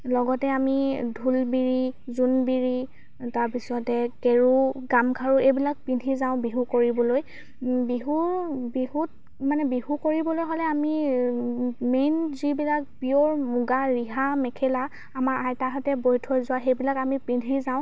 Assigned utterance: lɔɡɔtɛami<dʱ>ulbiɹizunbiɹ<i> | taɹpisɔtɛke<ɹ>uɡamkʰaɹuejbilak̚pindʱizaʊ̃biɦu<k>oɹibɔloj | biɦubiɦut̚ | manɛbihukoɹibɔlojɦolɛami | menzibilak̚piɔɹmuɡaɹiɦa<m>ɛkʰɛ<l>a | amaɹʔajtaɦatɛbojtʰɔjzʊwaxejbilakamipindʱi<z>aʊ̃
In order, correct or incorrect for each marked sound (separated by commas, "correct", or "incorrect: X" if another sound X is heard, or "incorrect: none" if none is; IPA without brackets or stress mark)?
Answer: correct, correct, correct, correct, correct, correct, correct